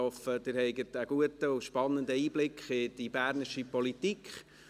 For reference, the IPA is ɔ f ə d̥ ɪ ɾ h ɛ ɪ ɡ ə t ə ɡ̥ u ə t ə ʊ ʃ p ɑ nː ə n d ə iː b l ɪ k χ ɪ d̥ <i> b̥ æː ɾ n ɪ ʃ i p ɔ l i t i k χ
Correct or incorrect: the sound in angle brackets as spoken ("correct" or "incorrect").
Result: correct